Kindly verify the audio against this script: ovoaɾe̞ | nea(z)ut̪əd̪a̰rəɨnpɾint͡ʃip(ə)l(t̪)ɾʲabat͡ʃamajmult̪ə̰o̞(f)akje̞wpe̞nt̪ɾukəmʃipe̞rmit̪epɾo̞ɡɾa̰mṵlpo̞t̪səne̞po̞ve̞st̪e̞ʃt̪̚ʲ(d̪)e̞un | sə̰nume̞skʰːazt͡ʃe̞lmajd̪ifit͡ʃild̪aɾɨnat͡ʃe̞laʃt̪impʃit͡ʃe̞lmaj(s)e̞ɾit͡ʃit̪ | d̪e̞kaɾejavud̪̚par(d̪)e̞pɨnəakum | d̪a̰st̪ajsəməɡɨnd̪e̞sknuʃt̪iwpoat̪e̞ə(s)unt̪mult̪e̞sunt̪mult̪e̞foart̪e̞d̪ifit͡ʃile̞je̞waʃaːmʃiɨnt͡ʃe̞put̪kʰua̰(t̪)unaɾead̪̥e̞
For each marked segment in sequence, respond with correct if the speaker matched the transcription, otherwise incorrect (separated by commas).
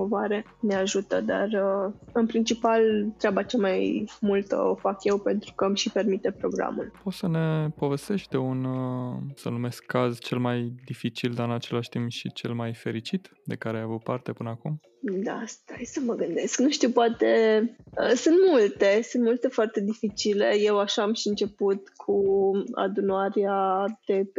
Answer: incorrect, incorrect, correct, correct, correct, incorrect, incorrect, correct, incorrect